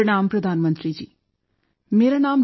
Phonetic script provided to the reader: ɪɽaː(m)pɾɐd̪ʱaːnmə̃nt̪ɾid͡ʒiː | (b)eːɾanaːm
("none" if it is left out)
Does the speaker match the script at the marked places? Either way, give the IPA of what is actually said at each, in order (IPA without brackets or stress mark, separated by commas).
m, m